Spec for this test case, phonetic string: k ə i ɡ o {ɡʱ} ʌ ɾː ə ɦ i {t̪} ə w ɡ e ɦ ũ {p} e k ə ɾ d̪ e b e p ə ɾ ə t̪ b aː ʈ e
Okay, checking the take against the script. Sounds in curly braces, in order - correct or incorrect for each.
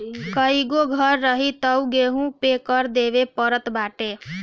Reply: correct, correct, correct

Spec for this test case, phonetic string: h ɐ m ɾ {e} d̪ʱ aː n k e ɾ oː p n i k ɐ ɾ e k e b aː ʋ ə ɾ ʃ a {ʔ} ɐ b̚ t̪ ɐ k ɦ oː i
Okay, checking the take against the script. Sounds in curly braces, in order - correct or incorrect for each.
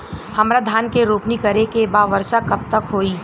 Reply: incorrect: a, incorrect: k

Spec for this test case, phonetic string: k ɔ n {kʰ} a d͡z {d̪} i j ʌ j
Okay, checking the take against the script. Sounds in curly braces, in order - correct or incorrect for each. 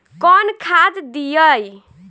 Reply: correct, correct

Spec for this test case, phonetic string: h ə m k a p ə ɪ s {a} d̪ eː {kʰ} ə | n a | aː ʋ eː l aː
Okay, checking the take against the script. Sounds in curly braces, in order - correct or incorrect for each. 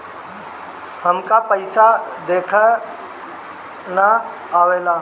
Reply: correct, correct

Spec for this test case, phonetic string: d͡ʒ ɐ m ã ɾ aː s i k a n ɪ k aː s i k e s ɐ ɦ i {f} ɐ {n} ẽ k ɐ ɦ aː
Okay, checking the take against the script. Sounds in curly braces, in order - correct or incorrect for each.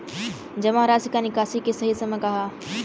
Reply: incorrect: s, incorrect: m

